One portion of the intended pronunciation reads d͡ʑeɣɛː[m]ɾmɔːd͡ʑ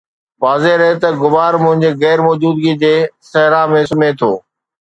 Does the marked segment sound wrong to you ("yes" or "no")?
yes